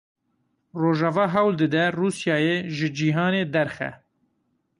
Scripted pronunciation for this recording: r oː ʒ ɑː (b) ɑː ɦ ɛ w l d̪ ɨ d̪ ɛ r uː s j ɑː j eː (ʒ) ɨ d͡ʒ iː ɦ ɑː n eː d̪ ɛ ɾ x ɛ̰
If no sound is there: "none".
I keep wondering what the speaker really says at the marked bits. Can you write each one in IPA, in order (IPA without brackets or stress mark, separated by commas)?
v, ʒ